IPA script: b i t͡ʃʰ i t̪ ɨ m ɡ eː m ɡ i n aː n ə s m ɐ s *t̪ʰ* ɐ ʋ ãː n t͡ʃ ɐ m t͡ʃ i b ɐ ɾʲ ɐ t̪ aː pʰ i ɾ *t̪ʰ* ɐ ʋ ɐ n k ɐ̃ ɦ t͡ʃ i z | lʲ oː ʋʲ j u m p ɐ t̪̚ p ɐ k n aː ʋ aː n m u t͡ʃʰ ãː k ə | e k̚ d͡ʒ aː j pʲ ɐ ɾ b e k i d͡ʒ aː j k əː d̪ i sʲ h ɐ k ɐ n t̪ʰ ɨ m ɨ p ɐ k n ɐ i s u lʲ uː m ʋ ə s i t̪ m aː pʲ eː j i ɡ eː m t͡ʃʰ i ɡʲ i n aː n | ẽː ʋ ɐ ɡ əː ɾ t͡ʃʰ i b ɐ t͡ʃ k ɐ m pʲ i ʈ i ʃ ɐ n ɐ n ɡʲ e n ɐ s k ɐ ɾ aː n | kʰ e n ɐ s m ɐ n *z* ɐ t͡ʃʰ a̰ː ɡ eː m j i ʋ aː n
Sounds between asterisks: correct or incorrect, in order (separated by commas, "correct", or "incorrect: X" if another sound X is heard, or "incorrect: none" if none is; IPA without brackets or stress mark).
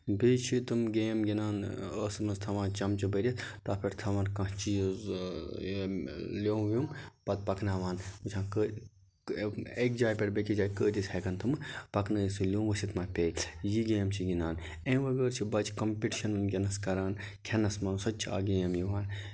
correct, correct, incorrect: s